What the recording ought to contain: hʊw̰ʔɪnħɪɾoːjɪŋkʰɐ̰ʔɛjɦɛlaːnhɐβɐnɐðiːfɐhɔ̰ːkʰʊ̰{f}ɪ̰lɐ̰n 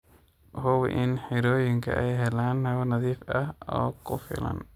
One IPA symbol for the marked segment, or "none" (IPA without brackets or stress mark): f